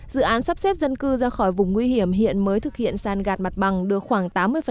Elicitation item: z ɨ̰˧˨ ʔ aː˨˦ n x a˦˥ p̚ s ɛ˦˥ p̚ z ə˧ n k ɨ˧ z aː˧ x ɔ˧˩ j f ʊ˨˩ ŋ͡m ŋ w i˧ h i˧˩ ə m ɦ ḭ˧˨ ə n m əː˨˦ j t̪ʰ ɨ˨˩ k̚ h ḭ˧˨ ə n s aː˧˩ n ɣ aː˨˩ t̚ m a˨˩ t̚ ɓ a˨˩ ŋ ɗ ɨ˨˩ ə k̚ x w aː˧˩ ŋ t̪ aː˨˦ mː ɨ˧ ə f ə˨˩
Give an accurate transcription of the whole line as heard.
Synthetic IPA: z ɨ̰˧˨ ʔ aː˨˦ n s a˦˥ p̚ s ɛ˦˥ p̚ z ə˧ n k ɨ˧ z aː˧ x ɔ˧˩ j v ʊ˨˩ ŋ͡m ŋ w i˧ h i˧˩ ə m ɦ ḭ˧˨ ə n m əː˨˦ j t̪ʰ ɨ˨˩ k̚ h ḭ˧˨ ə n s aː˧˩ n ɣ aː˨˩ t̚ m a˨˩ t̚ ɓ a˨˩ ŋ ɗ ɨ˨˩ ə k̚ x w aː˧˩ ŋ t̪ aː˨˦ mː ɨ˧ ə f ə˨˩

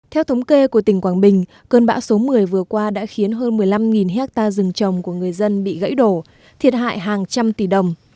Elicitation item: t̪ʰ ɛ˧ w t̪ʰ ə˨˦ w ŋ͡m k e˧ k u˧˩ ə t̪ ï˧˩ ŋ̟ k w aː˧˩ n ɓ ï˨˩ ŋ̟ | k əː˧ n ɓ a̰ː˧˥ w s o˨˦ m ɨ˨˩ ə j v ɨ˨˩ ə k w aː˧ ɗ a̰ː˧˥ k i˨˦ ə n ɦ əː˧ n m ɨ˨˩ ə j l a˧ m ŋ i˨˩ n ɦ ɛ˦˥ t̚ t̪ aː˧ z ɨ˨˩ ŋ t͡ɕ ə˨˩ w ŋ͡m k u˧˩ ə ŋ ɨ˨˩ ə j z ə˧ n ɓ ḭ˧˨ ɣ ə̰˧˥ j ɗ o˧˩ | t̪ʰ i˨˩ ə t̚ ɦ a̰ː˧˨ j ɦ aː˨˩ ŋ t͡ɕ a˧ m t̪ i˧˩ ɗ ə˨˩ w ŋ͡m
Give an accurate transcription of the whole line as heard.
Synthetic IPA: t̪ʰ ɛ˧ w t̪ʰ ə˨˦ w ŋ͡m k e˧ k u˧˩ ə t̪ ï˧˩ ŋ̟ k w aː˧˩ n ɓ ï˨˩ ŋ̟ | k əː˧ n ɓ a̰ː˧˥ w s o˨˦ m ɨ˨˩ ə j v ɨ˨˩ ə k w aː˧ ɗ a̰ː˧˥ x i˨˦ ə n ɦ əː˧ n m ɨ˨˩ ə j l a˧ m ŋ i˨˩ n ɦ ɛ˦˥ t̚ t̪ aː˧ z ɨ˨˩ ŋ t͡ɕ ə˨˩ w ŋ͡m k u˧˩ ə ŋ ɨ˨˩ ə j z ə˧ n ɓ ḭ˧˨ ɣ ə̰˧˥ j ɗ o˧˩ | t̪ʰ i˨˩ ə t̚ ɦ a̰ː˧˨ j ɦ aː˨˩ ŋ t͡ɕ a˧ m t̪ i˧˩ ɗ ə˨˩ w ŋ͡m

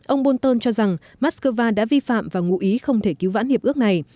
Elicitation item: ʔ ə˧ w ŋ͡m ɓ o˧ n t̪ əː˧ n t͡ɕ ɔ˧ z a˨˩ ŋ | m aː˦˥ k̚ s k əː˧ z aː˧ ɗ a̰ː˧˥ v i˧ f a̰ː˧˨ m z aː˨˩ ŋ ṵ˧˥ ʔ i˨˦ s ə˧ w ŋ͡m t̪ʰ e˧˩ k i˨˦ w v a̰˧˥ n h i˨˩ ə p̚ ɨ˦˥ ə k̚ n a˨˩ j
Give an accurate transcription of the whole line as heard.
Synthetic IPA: ʔ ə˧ w ŋ͡m ɓ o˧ n t̪ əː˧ n t͡ɕ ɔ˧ z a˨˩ ŋ | m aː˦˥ t̚ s k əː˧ v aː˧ ɗ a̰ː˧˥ v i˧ f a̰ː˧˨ m v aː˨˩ ŋ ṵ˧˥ ʔ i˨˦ x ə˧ w ŋ͡m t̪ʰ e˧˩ k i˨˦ w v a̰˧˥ n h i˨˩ ə p̚ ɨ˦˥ ə k̚ n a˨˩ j

